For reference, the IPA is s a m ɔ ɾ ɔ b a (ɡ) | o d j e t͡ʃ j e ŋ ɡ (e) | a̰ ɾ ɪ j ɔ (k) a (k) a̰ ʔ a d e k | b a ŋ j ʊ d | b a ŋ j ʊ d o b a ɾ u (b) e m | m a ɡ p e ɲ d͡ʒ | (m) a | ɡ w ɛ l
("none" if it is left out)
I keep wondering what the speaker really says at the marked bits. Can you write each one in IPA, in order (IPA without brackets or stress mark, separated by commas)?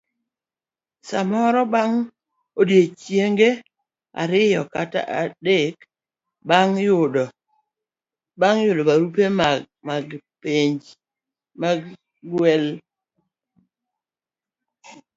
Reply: ŋ, e, k, t, p, m